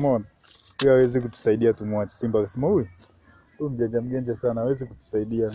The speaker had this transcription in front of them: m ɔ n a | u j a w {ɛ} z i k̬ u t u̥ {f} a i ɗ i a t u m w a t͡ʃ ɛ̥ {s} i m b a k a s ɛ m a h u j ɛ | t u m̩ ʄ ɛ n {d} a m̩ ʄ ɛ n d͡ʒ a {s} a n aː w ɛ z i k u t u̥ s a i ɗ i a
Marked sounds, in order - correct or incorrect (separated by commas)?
correct, incorrect, correct, incorrect, correct